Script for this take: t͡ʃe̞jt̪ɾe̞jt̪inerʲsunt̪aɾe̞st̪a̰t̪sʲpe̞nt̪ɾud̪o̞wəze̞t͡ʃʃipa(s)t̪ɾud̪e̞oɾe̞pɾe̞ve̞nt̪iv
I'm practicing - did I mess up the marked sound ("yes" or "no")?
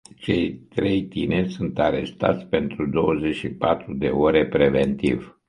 yes